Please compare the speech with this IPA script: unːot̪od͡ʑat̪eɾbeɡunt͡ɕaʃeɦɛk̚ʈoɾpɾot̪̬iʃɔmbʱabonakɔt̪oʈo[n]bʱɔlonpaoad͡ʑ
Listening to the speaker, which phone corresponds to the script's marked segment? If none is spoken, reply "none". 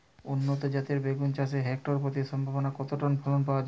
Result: n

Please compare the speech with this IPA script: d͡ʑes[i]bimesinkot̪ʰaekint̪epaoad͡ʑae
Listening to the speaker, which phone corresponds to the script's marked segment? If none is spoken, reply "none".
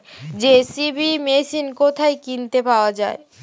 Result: i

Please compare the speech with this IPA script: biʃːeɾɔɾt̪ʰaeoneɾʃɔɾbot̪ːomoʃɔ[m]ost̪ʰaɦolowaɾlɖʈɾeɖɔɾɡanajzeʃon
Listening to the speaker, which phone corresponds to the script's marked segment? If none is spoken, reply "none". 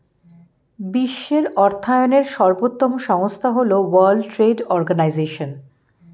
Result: ŋ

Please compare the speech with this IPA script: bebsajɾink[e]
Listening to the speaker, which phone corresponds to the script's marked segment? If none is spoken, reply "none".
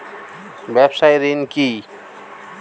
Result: i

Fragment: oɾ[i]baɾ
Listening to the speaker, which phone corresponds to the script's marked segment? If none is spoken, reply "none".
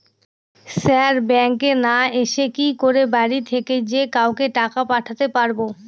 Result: e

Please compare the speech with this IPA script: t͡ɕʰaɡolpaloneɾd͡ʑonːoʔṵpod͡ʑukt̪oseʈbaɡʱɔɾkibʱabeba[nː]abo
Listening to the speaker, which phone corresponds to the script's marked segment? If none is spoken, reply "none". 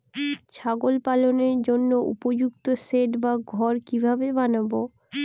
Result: n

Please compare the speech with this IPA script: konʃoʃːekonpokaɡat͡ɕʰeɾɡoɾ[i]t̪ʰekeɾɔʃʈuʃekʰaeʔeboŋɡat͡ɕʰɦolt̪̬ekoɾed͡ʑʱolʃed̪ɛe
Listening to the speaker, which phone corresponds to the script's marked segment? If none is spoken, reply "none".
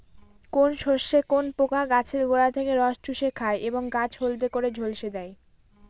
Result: a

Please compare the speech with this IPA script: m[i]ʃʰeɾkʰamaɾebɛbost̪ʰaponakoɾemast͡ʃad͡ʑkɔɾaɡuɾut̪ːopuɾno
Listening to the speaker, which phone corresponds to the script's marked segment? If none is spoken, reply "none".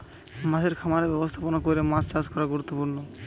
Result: a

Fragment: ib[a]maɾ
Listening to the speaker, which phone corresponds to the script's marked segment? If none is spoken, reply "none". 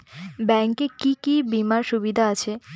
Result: i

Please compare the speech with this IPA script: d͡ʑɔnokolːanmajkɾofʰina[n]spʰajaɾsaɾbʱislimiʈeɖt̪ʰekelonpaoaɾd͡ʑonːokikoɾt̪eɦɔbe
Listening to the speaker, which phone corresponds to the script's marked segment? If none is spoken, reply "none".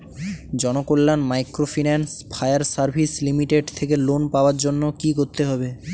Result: n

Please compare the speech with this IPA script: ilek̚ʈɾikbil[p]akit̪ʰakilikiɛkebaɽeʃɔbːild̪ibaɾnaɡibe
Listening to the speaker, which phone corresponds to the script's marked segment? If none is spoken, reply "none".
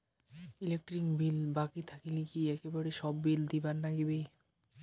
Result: b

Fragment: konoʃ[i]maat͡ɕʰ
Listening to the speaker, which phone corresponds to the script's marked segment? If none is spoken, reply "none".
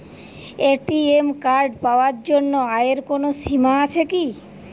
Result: i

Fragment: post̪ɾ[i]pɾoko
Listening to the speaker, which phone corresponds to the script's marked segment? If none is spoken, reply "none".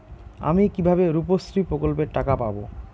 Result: i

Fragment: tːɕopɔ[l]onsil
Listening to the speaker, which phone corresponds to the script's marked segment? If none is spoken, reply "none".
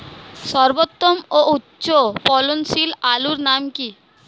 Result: l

